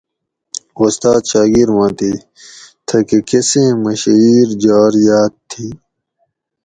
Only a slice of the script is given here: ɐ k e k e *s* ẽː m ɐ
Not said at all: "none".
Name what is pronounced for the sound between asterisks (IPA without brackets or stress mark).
s